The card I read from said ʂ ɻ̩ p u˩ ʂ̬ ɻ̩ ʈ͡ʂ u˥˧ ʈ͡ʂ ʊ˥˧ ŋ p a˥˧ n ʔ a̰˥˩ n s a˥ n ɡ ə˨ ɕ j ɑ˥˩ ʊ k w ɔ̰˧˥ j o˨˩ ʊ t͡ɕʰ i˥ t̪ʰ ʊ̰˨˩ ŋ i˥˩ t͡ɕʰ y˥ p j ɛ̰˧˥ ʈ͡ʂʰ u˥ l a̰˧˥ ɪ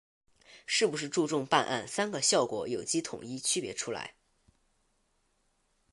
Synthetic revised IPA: ʂ ɻ̩ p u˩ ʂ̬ ɻ̩ ʈ͡ʂ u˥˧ ʈ͡ʂ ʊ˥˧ ŋ p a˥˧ n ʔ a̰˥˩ n s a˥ n ɡ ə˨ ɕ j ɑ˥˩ ʊ k w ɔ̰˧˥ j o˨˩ ʊ t͡ɕ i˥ t̪ʰ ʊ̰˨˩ ŋ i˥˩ t͡ɕʰ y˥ p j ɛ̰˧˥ ʈ͡ʂʰ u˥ l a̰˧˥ ɪ